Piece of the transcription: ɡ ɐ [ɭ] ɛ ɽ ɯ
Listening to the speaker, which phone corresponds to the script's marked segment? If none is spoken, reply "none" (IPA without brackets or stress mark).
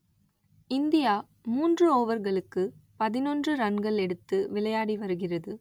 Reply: ɭ